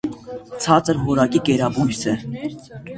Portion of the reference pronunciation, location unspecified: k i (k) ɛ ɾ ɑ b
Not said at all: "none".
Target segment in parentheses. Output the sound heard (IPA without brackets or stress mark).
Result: k